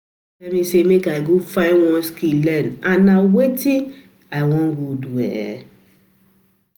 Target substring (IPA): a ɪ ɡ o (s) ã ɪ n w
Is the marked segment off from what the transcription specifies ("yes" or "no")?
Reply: yes